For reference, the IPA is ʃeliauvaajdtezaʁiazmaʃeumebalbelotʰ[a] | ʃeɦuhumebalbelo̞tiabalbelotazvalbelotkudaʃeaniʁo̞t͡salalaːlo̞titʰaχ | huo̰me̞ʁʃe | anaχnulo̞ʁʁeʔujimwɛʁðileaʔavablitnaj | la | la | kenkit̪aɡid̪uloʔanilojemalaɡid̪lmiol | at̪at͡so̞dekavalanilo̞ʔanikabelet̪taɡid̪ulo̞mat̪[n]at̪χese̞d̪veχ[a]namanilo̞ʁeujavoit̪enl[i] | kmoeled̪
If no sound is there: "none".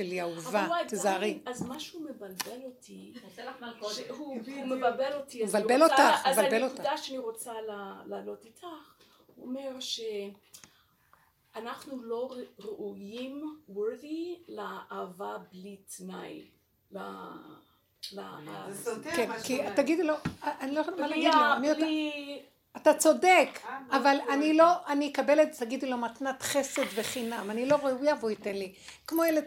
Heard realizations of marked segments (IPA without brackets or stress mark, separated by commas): i, n, i, i